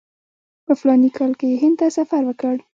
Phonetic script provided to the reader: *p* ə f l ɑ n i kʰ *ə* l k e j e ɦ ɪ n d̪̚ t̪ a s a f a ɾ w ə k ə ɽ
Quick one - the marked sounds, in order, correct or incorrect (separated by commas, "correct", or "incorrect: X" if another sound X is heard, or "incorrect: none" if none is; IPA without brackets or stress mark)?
correct, incorrect: ɑ